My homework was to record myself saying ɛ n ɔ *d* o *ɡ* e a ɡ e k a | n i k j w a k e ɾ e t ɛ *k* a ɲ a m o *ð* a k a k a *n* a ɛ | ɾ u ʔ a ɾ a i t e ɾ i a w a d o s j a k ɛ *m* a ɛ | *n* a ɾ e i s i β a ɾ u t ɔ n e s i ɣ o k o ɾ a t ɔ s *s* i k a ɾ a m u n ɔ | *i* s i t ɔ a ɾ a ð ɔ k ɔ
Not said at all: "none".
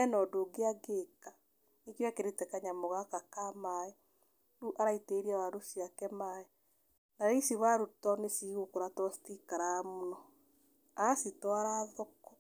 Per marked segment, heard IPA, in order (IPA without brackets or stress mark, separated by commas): d, ɡ, k, ɣ, m, m, n, t, a